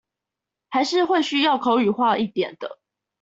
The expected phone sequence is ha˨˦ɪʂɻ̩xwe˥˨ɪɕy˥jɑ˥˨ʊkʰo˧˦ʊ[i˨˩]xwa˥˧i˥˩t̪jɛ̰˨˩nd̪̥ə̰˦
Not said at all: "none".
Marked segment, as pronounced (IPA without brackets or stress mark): y˨˩